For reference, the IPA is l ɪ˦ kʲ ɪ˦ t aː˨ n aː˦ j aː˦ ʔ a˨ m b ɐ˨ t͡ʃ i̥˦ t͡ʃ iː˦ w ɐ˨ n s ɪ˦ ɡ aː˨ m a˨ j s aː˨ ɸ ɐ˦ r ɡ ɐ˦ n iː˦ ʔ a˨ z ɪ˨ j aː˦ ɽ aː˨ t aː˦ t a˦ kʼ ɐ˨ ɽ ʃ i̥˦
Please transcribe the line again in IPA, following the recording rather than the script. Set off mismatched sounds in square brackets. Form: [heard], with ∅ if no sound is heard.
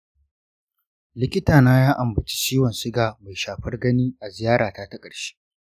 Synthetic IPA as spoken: l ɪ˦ kʲ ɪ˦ t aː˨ n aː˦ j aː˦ ʔ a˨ m b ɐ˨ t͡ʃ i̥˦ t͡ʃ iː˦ w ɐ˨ n s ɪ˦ ɡ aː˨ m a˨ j [ʃ] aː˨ ɸ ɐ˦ r ɡ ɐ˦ n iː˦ ʔ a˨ z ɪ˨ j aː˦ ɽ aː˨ t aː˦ t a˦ kʼ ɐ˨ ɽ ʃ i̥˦

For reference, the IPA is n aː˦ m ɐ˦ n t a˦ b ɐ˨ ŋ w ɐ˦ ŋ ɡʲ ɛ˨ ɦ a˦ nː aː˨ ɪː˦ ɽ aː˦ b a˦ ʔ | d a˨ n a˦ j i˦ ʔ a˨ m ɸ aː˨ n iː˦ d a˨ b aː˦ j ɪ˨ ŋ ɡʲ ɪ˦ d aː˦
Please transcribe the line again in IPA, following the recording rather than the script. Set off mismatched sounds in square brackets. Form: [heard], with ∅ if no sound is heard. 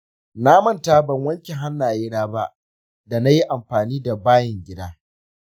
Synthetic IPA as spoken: n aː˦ m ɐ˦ n t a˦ b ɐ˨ ŋ w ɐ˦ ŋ [kʲ] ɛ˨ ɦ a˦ nː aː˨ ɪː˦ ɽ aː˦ b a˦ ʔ | d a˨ n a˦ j i˦ ʔ a˨ m ɸ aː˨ n iː˦ d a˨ b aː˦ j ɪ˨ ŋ ɡʲ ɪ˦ d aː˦

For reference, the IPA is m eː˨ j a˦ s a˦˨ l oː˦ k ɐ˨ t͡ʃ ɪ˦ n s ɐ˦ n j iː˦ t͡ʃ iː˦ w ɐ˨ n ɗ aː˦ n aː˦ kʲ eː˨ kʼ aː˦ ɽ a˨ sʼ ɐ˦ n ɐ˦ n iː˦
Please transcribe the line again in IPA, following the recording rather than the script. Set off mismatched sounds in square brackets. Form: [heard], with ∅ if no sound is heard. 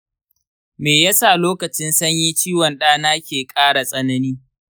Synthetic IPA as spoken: m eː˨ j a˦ s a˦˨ l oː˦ k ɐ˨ t͡ʃ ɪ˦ n s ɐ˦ [ɲ] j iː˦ t͡ʃ iː˦ w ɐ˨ n ɗ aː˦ n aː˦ kʲ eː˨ kʼ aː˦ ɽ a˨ sʼ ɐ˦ n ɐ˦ n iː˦

